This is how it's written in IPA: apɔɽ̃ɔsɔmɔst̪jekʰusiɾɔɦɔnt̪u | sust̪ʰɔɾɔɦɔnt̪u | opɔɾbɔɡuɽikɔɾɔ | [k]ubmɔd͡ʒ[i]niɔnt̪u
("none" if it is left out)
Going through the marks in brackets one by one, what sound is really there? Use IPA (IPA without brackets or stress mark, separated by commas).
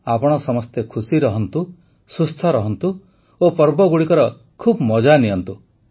kʰ, a